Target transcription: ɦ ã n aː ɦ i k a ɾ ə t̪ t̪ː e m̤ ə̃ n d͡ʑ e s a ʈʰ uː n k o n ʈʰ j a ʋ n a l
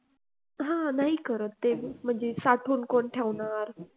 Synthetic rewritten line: ɦ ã n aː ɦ i k ə ɾ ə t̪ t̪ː e m̤ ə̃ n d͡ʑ e s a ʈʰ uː n k o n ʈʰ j a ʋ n a ɾ